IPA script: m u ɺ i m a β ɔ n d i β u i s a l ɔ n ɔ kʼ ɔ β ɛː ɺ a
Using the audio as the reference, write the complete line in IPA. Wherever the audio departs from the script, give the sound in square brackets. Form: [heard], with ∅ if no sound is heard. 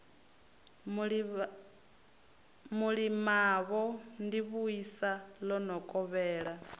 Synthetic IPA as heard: m u ɺ i m a β ɔ n d i β u i s a l ɔ n ɔ kʼ ɔ β ɛː ɺ a